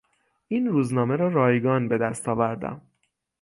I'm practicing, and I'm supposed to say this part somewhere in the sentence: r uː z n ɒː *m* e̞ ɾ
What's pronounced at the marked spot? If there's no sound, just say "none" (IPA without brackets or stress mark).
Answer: m